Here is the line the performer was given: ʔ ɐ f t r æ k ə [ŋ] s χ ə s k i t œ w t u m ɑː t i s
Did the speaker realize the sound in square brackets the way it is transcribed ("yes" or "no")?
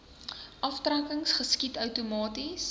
yes